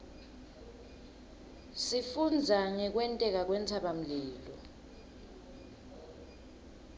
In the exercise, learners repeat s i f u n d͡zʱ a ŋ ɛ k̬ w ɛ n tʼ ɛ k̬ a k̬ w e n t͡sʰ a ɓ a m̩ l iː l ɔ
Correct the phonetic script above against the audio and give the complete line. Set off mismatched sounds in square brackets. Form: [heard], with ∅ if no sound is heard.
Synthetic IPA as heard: s i f u n d͡zʱ a ŋ ɛ k̬ w ɛ n tʼ ɛ k̬ a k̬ w [ɛ] n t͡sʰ a ɓ a m̩ l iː l ɔ